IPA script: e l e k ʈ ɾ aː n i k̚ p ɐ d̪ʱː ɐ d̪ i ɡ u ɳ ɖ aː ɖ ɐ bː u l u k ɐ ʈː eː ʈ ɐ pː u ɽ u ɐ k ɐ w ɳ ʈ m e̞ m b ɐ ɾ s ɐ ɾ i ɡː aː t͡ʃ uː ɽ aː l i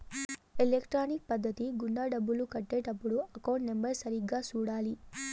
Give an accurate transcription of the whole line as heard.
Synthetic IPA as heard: e l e k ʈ ɾ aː n i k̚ p ɐ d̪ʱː ɐ t̪ i ɡ u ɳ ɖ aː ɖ ɐ bː u l u k ɐ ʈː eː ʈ ɐ pː u ɽ u ɐ k ɐ w ɳ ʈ m e̞ m b ɐ ɾ s ɐ ɾ i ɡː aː t͡ʃ uː ɽ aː l i

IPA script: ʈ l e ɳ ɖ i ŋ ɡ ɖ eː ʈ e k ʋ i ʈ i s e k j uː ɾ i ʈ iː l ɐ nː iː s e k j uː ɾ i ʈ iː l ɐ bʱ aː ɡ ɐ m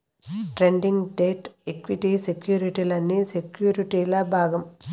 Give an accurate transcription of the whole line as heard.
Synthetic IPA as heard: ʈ ɾ e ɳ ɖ i ŋ ɡ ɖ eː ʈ e k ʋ i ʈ i s e k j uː ɾ i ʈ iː l ɐ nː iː s e k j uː ɾ i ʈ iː l ɐ bʱ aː ɡ ɐ m

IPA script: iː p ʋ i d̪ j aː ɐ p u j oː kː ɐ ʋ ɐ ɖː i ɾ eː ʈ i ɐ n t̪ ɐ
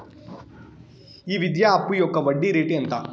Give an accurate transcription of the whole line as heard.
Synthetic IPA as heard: iː ʋ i d̪ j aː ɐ p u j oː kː ɐ ʋ ɐ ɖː i ɾ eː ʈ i ɐ n t̪ ɐ

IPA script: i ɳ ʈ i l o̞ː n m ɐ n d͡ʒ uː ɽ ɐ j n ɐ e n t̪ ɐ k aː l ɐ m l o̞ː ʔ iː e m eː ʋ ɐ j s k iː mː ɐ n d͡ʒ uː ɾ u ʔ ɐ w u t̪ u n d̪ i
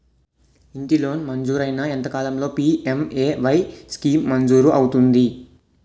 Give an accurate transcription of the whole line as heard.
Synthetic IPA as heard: i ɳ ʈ i l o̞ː n m ɐ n d͡ʒ uː ɾ ɐ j n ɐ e n t̪ ɐ k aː l ɐ m l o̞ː p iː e m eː ʋ ɐ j s k iː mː ɐ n d͡ʒ uː ɾ u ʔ ɐ w u t̪ u n d̪ i

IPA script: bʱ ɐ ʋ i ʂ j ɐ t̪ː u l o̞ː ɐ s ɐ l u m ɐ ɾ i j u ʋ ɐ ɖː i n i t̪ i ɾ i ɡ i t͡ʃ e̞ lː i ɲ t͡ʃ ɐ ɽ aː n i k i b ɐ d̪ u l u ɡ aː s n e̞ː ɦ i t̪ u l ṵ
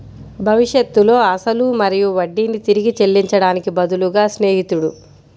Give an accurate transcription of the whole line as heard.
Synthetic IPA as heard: bʱ ɐ ʋ i ʂ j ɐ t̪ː u l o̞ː ɐ s ɐ l u m ɐ ɾ i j u ʋ ɐ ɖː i n i t̪ i ɾ i ɡ i t͡ʃ e̞ lː i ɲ t͡ʃ ɐ ɽ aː n i k i b ɐ d̪ u l u ɡ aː s n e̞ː ɦ i t̪ u ɽ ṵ

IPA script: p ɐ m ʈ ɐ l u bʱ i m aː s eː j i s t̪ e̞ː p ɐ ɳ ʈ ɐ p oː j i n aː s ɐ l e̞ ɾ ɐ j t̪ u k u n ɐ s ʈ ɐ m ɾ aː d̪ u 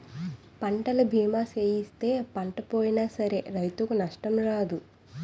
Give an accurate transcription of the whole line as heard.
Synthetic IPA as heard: p ɐ ɳ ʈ ɐ l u bʱ iː m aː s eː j i s t̪ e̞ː p ɐ ɳ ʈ ɐ p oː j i n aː s ɐ ɾ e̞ ɾ ɐ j t̪ u k u n ɐ ʂ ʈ ɐ m ɾ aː d̪ u

